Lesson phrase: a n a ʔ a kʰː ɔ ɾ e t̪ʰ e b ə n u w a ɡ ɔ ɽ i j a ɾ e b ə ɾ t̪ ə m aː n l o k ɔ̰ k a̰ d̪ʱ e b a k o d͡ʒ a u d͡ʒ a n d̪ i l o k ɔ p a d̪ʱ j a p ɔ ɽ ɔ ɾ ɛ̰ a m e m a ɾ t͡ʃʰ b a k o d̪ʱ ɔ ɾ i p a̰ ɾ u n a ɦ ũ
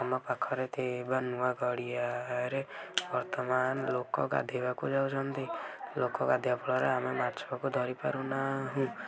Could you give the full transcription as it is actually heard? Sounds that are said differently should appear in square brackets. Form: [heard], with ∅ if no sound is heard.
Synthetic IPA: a [m] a [p] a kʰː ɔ ɾ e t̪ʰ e b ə n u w a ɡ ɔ ɽ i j a ɾ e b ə ɾ t̪ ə m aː n l o k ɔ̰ k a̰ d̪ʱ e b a k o d͡ʒ a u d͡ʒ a n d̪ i l o k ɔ [k] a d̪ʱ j a p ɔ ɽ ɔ ɾ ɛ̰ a m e m a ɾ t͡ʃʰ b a k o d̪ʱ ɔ ɾ i p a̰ ɾ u n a ɦ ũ